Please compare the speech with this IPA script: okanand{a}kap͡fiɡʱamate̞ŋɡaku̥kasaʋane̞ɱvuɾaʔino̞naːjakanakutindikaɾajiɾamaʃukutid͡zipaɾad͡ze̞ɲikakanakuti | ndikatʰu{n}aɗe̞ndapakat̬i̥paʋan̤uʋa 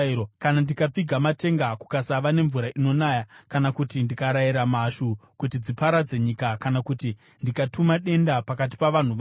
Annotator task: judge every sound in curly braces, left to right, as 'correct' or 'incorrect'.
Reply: incorrect, incorrect

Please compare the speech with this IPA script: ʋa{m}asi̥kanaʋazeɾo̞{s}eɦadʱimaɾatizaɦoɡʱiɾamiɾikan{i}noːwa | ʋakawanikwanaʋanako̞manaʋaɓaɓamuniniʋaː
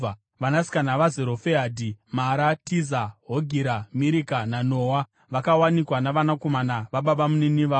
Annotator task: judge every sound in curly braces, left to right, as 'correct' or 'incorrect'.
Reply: incorrect, incorrect, incorrect

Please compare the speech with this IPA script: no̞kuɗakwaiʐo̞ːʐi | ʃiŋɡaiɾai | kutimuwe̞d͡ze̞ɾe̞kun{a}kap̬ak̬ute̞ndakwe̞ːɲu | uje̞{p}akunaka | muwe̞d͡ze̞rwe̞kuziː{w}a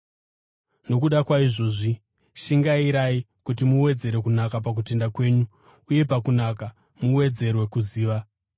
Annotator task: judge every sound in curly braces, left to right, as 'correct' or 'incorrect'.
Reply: correct, correct, incorrect

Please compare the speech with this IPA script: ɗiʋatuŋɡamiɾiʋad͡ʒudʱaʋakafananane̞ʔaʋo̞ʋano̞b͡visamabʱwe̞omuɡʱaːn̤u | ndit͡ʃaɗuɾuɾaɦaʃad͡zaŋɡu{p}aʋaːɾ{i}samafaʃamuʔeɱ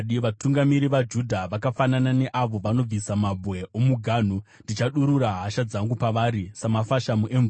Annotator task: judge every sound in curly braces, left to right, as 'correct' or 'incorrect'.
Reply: correct, correct

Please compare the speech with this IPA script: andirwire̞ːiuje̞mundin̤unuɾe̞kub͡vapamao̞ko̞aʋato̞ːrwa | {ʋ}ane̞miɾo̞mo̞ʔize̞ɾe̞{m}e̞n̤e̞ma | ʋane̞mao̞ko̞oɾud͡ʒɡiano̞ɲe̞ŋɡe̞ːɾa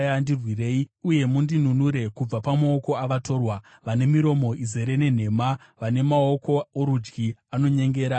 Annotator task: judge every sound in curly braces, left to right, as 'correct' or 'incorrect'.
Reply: correct, incorrect

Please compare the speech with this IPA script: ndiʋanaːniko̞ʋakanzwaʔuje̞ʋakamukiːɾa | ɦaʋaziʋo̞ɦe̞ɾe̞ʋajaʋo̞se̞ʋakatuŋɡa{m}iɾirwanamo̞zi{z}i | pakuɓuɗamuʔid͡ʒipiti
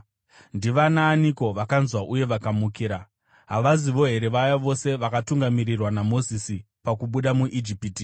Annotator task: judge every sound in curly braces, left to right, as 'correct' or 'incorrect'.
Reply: correct, incorrect

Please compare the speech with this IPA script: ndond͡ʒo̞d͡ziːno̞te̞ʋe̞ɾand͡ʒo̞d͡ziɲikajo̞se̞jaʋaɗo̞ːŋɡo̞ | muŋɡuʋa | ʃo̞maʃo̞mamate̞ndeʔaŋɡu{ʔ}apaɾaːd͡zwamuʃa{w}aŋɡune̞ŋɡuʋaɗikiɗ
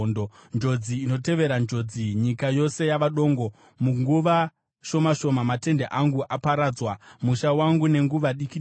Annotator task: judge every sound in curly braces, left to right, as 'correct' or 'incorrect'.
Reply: correct, correct

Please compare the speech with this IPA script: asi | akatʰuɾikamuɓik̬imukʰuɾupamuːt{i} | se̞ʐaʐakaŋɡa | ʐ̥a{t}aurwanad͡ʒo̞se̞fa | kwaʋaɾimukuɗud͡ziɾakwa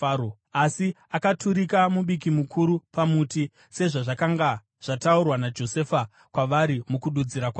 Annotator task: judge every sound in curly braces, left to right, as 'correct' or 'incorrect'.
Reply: correct, correct

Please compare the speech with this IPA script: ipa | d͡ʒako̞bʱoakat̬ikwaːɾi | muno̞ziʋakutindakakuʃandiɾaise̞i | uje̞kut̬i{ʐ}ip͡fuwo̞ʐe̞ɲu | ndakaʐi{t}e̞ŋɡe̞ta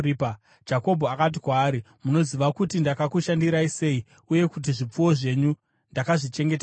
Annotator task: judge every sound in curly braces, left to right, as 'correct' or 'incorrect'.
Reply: correct, incorrect

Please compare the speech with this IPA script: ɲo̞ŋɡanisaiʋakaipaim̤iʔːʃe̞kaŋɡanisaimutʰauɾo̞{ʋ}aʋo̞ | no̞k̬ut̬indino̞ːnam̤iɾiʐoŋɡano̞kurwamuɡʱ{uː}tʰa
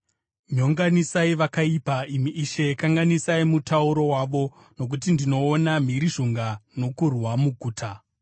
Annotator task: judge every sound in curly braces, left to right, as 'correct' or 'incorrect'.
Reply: incorrect, correct

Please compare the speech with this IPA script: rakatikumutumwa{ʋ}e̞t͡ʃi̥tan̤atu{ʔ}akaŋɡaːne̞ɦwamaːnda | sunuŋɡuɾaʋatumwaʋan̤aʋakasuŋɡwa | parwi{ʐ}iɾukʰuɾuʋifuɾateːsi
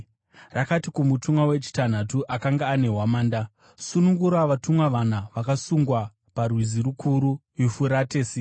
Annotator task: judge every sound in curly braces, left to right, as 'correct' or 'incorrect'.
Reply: incorrect, correct, incorrect

